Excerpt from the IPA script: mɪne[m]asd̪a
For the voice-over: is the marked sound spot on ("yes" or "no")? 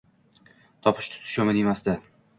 yes